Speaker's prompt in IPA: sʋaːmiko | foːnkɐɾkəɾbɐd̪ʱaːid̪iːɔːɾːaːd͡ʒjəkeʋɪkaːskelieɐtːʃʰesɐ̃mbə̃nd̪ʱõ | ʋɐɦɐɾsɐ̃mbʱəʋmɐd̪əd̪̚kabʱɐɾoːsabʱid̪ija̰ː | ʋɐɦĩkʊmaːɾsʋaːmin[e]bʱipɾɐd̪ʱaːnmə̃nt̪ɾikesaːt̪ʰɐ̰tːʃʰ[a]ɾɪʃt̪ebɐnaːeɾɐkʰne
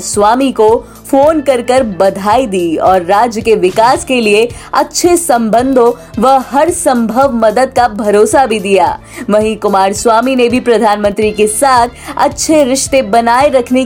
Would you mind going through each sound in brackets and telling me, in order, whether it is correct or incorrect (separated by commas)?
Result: correct, incorrect